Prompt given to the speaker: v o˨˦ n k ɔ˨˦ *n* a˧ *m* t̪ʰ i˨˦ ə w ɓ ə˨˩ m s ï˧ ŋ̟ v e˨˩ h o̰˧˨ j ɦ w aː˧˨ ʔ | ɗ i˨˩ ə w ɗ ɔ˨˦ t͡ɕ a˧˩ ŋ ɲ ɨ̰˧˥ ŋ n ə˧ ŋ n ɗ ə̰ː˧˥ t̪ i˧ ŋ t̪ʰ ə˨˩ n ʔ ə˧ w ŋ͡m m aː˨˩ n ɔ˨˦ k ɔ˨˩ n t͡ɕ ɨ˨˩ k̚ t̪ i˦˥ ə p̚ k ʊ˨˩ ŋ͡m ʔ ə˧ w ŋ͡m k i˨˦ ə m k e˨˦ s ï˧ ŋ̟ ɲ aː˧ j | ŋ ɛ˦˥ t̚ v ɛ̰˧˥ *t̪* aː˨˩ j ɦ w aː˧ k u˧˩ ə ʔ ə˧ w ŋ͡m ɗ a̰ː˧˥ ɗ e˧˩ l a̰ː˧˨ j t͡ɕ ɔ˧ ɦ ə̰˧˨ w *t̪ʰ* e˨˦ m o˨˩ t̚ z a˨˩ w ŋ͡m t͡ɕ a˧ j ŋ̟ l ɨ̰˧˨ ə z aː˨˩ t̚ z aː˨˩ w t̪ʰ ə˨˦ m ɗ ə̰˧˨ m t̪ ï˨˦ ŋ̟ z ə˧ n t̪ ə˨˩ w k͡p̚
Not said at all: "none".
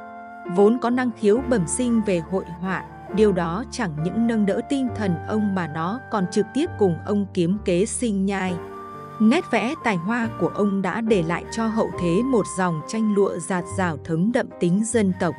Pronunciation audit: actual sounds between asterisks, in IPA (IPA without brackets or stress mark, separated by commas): n, ŋ, t̪, t̪ʰ